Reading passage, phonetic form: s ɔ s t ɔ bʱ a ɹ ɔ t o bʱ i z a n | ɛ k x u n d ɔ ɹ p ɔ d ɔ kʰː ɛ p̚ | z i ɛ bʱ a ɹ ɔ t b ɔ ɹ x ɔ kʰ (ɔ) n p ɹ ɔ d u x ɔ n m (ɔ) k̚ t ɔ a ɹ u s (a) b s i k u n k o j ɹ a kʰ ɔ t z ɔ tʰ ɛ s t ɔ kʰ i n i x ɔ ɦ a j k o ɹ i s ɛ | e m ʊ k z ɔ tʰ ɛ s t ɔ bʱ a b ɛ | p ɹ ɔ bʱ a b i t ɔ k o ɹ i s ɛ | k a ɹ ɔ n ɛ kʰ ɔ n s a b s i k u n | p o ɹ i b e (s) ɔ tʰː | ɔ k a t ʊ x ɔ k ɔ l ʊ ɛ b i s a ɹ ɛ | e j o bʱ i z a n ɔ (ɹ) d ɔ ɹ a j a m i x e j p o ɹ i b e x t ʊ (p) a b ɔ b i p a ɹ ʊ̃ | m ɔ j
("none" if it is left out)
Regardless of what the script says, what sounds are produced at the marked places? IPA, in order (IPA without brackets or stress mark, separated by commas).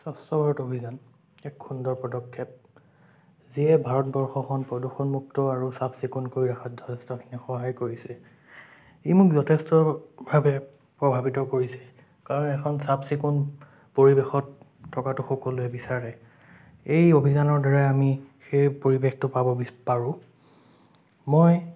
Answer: ɔ, u, a, x, ɹ, p